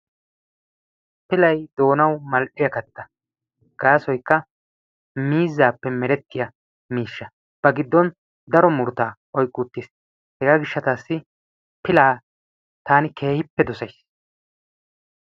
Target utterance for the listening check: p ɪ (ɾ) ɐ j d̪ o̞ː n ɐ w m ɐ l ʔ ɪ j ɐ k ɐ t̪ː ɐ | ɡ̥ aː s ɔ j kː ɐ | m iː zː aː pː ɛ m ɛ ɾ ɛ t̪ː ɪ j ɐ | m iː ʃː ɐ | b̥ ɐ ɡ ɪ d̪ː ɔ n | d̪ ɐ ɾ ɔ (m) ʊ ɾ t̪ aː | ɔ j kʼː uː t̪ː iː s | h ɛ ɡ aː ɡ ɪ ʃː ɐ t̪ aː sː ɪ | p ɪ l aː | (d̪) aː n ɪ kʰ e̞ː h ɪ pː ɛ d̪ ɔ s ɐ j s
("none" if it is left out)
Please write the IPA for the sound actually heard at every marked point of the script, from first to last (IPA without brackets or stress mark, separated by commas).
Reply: l, m, t̪